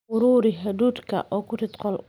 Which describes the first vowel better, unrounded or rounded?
rounded